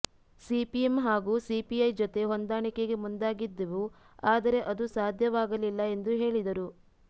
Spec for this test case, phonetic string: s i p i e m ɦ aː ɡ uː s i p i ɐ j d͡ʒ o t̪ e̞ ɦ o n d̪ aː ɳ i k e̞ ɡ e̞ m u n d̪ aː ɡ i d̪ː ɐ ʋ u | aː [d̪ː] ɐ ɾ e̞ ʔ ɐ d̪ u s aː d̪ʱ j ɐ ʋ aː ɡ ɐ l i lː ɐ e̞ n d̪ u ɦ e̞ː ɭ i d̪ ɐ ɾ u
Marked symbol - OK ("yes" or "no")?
no